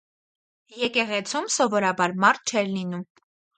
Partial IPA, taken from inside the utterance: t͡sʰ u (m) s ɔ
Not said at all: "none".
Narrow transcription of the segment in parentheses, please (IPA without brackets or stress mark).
m